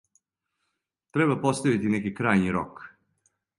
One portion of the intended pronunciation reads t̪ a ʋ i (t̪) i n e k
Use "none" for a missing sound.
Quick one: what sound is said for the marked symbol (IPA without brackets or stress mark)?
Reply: t̪